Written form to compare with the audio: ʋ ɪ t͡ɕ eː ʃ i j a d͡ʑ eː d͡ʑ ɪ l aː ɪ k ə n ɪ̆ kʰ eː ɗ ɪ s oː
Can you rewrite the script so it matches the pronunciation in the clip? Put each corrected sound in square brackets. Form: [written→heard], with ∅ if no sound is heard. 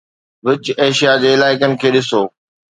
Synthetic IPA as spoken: ʋ ɪ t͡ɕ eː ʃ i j a d͡ʑ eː [d͡ʑ→∅] ɪ l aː ɪ k ə n ɪ̆ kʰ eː ɗ ɪ s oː